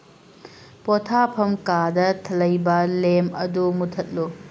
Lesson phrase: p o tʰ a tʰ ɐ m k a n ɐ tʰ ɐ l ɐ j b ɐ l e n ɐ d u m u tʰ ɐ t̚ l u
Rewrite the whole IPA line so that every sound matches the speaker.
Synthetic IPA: p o tʰ a pʰ ɐ m k a d ɐ tʰ ɐ l ɐ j b ɐ l e m ɐ d u m u tʰ ɐ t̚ l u